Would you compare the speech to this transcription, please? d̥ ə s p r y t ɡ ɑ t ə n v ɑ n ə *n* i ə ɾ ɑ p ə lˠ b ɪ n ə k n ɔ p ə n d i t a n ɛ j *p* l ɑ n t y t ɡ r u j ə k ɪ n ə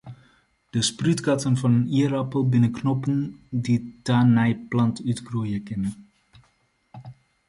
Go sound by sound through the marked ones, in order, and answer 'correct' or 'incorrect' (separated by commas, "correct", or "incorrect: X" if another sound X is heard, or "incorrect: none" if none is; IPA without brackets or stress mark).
correct, correct